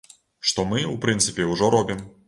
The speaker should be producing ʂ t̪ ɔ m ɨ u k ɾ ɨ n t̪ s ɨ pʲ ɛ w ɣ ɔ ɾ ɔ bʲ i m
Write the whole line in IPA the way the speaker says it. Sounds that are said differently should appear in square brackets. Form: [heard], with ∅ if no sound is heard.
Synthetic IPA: ʂ t̪ ɔ m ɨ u [p] ɾ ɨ n t̪ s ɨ pʲ ɛ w [ʐ] ɔ ɾ ɔ bʲ i m